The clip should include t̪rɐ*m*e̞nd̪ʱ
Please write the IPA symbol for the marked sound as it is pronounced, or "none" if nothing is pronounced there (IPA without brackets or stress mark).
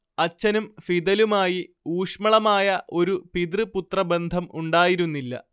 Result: b